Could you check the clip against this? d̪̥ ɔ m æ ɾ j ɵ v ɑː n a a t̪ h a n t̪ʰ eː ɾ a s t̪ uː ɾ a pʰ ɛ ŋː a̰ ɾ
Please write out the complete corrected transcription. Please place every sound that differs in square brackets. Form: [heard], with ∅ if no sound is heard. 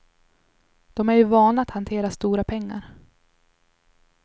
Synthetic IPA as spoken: d̪̥ ɔ m æ ɾ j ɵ v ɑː n a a t̪ h a n t̪ʰ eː ɾ a s t̪ uː ɾ a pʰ ɛ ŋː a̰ ɾ